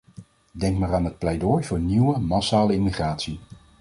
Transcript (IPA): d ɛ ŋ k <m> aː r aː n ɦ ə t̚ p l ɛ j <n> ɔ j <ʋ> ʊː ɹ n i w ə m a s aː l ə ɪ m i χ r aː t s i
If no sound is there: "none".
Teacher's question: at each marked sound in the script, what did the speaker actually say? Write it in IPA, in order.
m, d, v

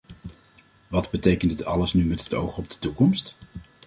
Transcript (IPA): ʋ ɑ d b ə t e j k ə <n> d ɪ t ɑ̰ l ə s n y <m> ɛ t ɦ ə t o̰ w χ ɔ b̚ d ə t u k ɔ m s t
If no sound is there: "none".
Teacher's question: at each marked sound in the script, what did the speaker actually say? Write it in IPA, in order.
n, m

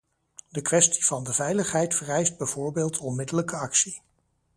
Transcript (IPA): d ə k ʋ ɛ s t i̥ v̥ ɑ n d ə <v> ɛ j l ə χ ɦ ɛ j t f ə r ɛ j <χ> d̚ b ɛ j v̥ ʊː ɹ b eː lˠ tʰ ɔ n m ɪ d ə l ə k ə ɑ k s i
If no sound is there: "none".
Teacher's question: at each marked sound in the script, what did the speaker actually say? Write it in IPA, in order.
v, s

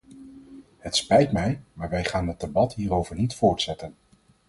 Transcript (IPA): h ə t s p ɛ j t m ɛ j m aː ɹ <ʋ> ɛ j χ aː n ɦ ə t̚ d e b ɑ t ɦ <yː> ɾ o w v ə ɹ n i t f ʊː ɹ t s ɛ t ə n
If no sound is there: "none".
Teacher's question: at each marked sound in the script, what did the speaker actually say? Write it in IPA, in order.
ʋ, iː

